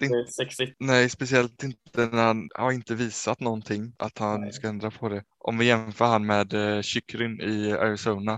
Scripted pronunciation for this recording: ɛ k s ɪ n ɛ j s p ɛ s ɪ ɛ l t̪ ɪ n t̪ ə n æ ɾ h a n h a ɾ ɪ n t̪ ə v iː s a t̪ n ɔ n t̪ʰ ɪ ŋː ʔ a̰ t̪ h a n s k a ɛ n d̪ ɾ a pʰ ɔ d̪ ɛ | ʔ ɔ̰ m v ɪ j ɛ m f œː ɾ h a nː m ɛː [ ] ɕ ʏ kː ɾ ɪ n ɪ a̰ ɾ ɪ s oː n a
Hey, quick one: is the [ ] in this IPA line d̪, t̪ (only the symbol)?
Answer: d̪